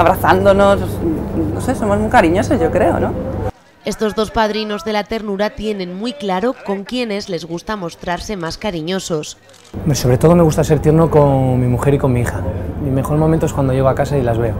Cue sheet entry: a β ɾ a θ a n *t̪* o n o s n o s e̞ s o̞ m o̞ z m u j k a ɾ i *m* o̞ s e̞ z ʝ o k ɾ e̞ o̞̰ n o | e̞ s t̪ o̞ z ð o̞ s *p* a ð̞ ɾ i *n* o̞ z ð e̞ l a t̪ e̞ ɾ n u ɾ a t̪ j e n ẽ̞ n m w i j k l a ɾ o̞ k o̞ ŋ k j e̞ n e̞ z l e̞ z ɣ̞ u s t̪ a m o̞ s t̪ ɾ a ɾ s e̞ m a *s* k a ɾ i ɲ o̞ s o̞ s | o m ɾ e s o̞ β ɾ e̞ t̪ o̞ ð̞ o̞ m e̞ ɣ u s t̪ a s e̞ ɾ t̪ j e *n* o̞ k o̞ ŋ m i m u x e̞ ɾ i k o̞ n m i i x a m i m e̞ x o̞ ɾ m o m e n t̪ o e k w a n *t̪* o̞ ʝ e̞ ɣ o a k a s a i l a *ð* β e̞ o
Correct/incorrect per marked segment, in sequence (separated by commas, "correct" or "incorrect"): incorrect, incorrect, correct, correct, correct, correct, incorrect, incorrect